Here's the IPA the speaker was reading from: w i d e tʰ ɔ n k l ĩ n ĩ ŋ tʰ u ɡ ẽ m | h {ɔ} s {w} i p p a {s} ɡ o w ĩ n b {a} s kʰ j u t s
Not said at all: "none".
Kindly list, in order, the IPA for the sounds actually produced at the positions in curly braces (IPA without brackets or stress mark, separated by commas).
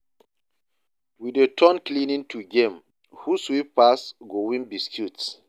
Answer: u, w, s, i